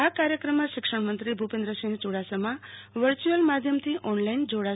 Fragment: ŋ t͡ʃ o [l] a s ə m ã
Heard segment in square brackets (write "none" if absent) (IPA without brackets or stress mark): ɽ